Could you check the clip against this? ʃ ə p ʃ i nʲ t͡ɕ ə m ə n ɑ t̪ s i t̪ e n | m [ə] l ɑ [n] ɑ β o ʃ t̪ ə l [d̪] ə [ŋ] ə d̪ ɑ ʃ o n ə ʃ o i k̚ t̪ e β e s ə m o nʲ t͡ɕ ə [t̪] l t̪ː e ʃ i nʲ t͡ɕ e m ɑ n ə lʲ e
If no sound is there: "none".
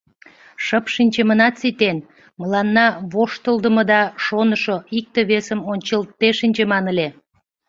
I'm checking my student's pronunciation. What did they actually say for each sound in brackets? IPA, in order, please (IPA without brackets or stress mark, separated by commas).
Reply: ə, nː, d̪, m, none